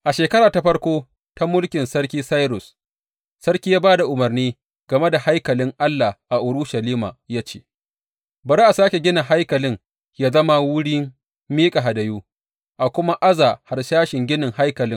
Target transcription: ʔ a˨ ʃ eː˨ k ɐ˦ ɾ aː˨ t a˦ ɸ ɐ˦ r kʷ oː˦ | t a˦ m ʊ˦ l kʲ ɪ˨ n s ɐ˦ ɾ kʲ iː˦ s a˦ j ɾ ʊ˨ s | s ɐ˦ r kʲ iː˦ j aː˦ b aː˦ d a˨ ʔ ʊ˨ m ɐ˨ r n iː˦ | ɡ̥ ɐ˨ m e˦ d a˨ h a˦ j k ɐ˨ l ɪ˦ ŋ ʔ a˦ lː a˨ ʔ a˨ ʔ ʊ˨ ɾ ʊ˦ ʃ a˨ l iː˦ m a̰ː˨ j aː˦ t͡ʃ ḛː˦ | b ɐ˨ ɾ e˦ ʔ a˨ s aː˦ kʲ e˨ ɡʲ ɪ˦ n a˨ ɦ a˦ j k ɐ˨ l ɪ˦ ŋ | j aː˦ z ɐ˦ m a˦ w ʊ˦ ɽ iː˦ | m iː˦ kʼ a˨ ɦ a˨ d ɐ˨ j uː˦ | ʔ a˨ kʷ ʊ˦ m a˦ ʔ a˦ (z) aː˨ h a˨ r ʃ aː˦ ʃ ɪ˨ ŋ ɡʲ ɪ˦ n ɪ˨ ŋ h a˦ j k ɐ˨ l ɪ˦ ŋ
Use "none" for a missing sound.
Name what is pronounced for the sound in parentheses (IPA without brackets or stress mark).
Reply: z